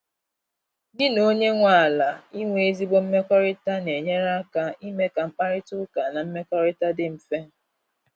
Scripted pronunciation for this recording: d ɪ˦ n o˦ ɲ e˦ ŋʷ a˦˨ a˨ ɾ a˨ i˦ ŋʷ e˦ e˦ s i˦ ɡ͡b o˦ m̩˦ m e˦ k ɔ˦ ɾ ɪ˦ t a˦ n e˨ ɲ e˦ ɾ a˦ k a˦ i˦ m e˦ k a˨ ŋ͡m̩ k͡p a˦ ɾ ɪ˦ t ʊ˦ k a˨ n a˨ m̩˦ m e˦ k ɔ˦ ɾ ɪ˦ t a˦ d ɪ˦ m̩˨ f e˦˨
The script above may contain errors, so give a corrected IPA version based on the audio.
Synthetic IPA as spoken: d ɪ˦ n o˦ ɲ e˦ ŋʷ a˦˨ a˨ l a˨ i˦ ŋʷ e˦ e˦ z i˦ ɡ͡b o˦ m̩˦ m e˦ k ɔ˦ ɾ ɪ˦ t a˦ n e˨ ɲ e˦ ɾ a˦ k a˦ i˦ m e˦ k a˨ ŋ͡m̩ k͡p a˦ ɾ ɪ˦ t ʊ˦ k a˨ n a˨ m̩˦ m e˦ k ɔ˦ ɾ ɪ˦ t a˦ d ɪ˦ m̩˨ f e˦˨